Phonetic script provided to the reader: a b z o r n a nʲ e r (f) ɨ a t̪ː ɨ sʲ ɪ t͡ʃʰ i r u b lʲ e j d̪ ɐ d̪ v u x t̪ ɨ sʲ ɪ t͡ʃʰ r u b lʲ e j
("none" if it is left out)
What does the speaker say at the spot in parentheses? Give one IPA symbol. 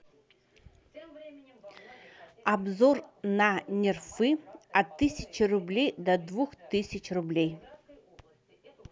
f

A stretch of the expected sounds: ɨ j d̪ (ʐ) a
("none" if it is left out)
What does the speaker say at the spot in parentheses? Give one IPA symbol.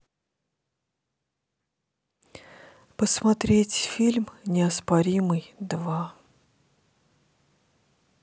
v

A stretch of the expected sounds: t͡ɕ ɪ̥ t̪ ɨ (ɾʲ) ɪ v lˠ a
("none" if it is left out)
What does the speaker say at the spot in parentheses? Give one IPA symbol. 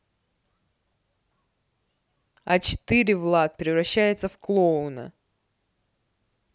ɾʲ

